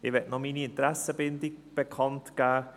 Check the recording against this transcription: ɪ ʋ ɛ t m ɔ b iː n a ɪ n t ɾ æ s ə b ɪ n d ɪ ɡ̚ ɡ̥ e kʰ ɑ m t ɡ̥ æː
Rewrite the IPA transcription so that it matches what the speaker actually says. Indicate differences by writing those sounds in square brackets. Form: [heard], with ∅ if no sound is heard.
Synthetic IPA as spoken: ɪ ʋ ɛ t [n] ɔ [m] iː n [i] ɪ n t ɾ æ s ə b ɪ n d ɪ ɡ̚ [b̥] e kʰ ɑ [n] t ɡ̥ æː